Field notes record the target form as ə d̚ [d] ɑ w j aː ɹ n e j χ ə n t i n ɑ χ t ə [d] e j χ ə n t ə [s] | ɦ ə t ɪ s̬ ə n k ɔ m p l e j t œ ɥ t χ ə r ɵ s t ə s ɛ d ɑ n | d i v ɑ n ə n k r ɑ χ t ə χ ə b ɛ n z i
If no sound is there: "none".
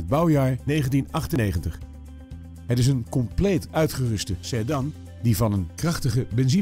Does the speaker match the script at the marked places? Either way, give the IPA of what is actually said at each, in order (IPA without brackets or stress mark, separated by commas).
b, n, χ